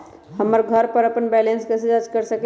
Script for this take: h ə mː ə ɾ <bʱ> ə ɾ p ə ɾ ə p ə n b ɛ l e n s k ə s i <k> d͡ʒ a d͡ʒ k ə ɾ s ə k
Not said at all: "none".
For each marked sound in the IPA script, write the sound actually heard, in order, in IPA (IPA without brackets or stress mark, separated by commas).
ɡʱ, none